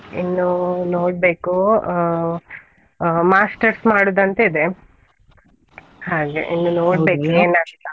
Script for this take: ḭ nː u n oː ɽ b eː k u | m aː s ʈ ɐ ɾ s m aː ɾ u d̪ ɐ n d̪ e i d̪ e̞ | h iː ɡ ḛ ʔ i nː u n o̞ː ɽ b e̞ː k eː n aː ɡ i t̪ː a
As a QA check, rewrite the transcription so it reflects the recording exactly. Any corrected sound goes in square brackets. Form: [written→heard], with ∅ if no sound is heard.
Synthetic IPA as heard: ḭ nː u n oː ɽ b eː k u | m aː s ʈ ɐ ɾ s m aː [ɾ→ɽ] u d̪ ɐ n [d̪→t̪] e i d̪ e̞ | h [iː→aː] ɡ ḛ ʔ i nː u n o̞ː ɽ b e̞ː k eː n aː ɡ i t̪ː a

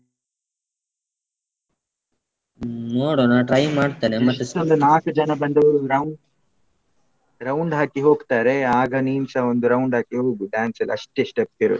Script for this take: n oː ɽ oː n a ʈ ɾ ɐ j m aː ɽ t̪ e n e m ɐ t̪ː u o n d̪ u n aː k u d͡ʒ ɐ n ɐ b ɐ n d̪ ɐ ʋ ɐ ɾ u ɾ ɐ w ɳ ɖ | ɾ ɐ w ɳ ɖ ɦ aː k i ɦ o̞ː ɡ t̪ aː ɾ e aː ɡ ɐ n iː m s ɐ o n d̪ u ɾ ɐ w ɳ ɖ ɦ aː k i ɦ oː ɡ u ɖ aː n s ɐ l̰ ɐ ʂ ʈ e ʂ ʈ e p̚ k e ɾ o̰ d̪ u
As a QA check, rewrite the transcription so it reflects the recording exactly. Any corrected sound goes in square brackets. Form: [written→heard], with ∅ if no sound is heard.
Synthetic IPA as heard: n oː ɽ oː n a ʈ ɾ ɐ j m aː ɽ t̪ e n e m ɐ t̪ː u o n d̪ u n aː k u d͡ʒ ɐ n ɐ b ɐ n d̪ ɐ ʋ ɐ ɾ u ɾ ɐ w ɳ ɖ | ɾ ɐ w ɳ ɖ ɦ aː k i ɦ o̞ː ɡ t̪ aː ɾ e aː ɡ ɐ n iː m s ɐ o n d̪ u ɾ ɐ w ɳ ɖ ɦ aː k i ɦ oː ɡ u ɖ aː n s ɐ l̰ ɐ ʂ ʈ e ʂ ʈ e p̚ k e ɾ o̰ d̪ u

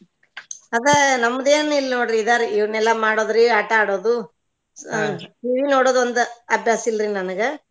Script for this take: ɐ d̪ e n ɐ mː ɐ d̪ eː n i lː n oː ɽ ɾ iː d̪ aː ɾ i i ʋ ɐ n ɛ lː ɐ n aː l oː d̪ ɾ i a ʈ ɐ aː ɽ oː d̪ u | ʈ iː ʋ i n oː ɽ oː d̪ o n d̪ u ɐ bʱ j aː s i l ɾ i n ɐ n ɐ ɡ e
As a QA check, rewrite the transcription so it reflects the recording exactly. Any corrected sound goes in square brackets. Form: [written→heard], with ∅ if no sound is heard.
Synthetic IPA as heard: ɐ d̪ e n ɐ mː ɐ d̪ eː n i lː n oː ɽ ɾ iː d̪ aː ɾ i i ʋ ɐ n ɛ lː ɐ [n→m] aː [l→ɽ] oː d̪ ɾ i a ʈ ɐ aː ɽ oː d̪ u | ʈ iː ʋ i n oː ɽ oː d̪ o n d̪ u ɐ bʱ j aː s i l ɾ i n ɐ n ɐ ɡ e

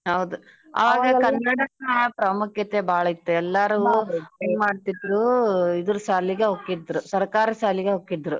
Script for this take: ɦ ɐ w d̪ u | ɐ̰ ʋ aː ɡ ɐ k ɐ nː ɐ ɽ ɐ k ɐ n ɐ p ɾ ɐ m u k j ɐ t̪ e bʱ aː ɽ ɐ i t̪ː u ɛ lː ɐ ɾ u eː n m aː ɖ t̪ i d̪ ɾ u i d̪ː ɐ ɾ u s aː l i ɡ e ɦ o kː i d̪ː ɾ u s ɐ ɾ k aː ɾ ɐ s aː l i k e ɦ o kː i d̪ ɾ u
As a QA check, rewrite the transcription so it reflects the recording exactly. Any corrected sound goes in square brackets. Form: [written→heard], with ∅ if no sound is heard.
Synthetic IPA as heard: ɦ ɐ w d̪ u | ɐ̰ ʋ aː ɡ ɐ k ɐ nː ɐ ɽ ɐ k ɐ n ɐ p ɾ ɐ m u k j ɐ t̪ e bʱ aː [ɽ→ɭ] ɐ i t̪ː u ɛ lː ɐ ɾ u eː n m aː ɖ t̪ i d̪ ɾ u i [d̪ː→d̪] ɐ ɾ u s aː l i ɡ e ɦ o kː i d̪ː ɾ u s ɐ ɾ k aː ɾ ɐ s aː l i [k→ɡ] e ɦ o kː i d̪ ɾ u

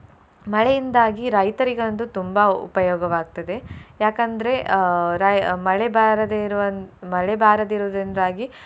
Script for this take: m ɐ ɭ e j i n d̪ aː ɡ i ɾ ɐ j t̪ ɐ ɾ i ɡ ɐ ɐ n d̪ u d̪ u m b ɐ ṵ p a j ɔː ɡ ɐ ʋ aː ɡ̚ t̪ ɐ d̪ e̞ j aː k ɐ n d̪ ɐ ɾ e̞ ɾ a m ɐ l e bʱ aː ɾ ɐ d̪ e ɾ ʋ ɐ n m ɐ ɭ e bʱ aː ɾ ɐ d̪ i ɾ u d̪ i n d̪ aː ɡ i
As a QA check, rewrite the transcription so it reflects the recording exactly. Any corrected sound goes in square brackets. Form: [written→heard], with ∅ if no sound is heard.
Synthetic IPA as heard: m ɐ ɭ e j i n d̪ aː ɡ i ɾ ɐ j t̪ ɐ ɾ i ɡ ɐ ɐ n d̪ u [d̪→t̪] u m b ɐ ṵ p [a→ɐ] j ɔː ɡ ɐ ʋ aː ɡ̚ t̪ ɐ d̪ e̞ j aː k ɐ n d̪ ɐ ɾ e̞ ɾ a m ɐ [l→ɭ] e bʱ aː ɾ ɐ d̪ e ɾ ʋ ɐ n m ɐ ɭ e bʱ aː ɾ ɐ d̪ i ɾ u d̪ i n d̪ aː ɡ i

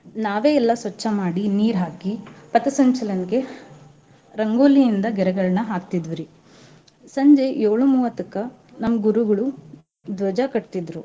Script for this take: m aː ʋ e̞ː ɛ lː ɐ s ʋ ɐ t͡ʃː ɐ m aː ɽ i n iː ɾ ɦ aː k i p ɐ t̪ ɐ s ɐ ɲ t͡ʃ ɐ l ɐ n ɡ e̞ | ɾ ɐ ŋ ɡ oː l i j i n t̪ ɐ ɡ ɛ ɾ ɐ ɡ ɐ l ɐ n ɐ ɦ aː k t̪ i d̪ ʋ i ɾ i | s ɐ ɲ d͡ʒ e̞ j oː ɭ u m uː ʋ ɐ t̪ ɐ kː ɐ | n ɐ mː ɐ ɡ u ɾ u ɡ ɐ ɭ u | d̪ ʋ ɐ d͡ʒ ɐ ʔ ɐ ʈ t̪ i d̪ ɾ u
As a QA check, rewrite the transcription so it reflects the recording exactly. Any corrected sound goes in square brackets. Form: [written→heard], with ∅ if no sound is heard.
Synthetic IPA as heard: [m→n] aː ʋ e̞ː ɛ lː ɐ s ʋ ɐ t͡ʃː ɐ m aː ɽ i n iː ɾ ɦ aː k i p ɐ t̪ ɐ s ɐ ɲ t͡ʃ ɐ l ɐ n ɡ e̞ | ɾ ɐ ŋ ɡ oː l i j i n [t̪→d̪] ɐ ɡ ɛ ɾ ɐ ɡ ɐ [l→ɭ] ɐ n ɐ ɦ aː k t̪ i d̪ ʋ i ɾ i | s ɐ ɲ d͡ʒ e̞ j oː ɭ u m uː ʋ ɐ t̪ ɐ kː ɐ | n ɐ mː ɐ ɡ u ɾ u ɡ ɐ ɭ u | d̪ ʋ ɐ d͡ʒ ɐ [ʔ→k] ɐ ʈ t̪ i d̪ ɾ u

